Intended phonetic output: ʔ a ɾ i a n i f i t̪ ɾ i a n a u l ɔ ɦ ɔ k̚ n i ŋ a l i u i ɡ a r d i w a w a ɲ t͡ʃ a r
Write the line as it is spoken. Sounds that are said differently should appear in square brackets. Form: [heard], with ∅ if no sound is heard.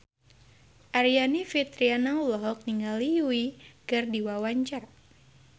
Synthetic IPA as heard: ʔ a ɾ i a n i f i t̪ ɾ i a n a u l ɔ ɦ ɔ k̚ n i ŋ a l i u i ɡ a r d i w a w a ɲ t͡ʃ a r